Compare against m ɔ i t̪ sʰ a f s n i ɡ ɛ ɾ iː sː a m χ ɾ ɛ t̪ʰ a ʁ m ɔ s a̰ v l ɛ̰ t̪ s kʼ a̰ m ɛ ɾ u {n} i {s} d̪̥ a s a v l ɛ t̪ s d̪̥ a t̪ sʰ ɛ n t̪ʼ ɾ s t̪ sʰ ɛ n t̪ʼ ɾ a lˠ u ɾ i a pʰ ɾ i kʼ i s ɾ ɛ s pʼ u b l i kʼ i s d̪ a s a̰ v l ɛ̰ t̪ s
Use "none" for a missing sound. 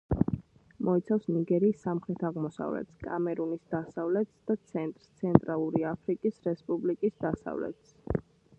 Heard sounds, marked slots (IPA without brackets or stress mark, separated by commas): n, s